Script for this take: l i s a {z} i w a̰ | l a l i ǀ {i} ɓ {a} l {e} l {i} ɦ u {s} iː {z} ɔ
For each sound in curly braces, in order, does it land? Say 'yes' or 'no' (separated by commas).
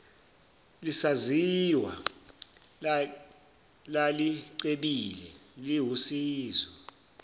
yes, no, no, no, yes, yes, yes